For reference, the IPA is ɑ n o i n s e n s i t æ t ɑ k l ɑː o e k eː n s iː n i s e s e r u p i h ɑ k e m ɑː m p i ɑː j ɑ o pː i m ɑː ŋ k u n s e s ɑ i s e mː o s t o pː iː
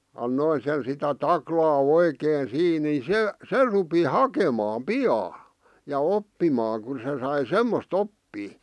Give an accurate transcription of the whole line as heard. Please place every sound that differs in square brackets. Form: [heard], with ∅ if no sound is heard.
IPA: ɑ [nː] o i n s e n s i t æ t ɑ k l ɑː o [i] k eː n s iː n i s e s e r u p i h ɑ k e m ɑː m p i ɑː j ɑ o pː i m ɑː ŋ k u n s e s ɑ i s e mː o s t o pː iː